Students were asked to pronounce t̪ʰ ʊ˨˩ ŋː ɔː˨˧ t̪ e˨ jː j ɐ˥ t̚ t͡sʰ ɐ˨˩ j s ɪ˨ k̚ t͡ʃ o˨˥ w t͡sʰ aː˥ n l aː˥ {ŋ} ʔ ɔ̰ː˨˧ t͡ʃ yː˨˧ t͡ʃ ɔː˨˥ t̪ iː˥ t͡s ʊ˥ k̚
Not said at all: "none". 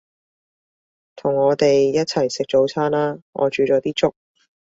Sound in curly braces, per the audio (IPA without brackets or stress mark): ŋ